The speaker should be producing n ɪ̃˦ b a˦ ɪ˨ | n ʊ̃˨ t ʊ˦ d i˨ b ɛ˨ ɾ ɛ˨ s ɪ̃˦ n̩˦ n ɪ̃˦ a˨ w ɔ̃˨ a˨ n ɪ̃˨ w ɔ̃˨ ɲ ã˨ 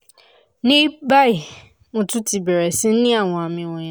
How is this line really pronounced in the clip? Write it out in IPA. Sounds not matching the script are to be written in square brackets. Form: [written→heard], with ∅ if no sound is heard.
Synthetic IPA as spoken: n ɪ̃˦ b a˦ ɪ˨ | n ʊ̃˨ t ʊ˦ [d→t] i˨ b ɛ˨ ɾ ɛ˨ s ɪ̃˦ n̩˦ n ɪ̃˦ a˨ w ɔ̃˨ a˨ [n→m] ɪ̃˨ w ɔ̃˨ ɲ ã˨